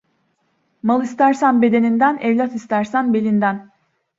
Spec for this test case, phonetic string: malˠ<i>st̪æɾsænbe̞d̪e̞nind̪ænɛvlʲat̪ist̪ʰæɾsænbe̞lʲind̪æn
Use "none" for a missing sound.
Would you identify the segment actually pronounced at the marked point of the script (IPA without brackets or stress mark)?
i